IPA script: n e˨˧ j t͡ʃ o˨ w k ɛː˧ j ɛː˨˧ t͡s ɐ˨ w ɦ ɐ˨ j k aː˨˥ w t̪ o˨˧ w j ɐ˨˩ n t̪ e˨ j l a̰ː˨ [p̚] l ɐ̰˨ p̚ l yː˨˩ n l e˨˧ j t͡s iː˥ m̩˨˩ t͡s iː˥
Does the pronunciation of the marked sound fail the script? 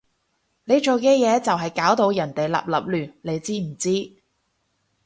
no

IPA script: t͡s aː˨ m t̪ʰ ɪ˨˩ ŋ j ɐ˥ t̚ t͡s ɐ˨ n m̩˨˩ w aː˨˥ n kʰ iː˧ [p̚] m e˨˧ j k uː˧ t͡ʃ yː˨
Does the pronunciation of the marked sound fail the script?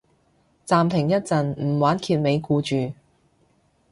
yes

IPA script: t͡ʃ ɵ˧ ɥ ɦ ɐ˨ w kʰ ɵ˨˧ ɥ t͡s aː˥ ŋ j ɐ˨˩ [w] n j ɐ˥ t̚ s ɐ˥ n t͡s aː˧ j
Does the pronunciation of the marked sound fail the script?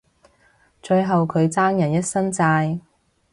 yes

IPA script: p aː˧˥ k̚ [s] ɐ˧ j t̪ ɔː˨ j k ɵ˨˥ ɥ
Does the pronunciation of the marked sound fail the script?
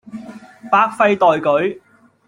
yes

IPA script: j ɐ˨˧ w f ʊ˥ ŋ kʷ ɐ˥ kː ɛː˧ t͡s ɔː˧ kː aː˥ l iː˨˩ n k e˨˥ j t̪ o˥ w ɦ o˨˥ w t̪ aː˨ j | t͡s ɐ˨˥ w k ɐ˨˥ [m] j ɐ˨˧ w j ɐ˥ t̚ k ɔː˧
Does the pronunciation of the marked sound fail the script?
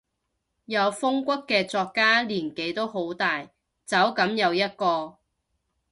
no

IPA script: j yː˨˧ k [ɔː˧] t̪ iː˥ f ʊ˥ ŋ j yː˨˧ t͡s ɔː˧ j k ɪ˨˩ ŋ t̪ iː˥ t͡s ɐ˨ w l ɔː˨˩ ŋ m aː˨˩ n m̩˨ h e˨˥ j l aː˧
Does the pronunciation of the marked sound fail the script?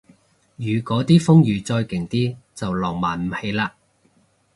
yes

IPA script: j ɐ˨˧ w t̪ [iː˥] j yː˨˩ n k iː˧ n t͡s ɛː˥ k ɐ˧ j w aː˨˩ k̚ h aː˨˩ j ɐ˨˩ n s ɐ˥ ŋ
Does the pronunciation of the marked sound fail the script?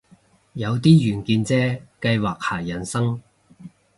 no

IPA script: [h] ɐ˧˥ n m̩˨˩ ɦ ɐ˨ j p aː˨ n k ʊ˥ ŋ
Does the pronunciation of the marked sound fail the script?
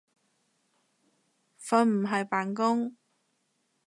yes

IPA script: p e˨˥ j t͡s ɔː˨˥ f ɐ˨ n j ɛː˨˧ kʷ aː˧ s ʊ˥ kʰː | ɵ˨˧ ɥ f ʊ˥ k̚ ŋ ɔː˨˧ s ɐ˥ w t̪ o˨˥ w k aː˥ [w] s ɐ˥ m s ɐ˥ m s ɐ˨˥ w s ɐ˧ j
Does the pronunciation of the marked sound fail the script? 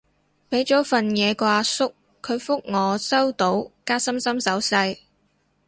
yes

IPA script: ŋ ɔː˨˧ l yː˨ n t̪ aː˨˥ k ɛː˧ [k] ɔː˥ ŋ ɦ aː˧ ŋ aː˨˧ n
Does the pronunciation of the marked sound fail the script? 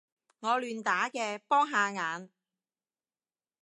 yes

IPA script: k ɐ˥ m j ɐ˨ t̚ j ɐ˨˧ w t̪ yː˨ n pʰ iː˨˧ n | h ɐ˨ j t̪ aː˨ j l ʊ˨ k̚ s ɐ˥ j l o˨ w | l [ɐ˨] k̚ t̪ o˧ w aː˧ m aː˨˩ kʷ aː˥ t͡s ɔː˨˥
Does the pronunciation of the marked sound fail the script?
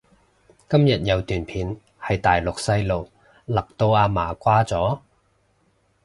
no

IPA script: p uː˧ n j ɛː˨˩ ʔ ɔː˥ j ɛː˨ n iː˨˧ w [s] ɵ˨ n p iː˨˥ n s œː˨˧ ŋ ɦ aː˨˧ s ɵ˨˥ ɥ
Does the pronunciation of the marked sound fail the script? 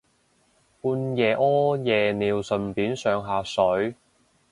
no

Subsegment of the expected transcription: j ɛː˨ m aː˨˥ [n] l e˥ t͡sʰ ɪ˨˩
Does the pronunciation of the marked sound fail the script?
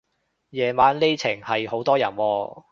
no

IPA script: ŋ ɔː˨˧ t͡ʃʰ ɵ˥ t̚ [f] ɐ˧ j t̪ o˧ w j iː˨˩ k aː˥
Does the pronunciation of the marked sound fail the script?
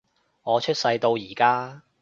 yes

